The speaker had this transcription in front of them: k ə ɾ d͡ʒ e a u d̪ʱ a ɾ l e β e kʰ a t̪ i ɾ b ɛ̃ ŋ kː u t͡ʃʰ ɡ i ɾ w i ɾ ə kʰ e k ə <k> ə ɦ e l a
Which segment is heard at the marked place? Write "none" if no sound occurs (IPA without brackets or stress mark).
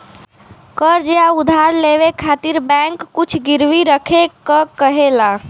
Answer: k